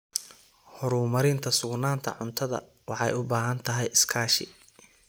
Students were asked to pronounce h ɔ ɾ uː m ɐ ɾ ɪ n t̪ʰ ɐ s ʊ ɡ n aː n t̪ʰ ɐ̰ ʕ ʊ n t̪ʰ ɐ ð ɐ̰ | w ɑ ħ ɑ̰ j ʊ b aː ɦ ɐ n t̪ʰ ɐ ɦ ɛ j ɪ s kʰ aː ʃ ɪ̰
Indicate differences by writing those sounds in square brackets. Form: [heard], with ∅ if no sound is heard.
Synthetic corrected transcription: h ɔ ɾ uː m ɐ ɾ ɪ n t̪ʰ ɐ s ʊ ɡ n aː n t̪ʰ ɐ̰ ʕ ʊ n t̪ʰ ɐ ð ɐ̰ | w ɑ ħ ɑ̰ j ʊ b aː ɦ ɐ n t̪ʰ ɐ ɦ ɛ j ɪ s kʰ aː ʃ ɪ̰